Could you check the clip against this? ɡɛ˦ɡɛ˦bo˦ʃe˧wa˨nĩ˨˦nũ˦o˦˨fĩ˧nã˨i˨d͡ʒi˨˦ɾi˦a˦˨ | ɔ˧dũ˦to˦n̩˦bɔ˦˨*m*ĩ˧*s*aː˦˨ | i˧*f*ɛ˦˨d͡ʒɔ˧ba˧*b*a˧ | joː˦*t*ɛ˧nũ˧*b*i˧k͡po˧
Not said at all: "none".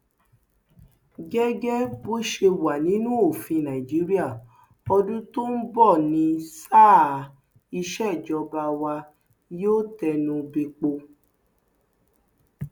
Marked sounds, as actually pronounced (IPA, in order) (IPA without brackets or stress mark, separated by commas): n, s, ʃ, w, t, b